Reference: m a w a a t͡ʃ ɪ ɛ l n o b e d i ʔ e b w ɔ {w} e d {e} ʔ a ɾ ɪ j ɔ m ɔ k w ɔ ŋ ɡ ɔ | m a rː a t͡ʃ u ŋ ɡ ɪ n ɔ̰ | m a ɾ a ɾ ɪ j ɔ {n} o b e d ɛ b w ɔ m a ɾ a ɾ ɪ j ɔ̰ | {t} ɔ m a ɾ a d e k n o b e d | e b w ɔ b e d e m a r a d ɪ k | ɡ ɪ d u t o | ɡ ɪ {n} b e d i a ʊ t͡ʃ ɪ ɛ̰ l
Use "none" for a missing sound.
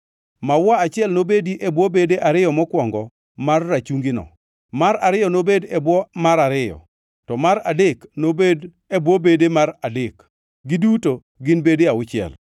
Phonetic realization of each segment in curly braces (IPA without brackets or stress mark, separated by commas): b, e, n, t, n